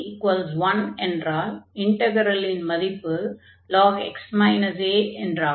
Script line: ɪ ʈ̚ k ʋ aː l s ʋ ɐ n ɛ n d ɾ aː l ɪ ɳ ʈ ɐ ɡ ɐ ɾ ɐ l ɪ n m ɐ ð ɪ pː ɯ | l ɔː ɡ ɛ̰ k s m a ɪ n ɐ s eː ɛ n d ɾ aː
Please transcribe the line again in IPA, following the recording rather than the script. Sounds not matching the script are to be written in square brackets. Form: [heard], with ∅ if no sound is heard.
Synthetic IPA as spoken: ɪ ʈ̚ k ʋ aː l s ʋ ɐ n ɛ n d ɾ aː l ɪ ɳ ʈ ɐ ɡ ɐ ɾ ɐ l ɪ n m ɐ ð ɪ pː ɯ | l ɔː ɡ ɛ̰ k s m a ɪ n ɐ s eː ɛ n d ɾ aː